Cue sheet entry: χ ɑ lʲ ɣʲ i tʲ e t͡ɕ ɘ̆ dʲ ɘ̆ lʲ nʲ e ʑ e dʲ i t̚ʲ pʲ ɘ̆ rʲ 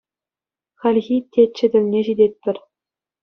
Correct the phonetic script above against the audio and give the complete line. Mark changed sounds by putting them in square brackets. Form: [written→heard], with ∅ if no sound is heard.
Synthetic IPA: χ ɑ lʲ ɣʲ i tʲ e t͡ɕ ɘ̆ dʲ ɘ̆ lʲ nʲ e ʑ [e→i] dʲ [i→e] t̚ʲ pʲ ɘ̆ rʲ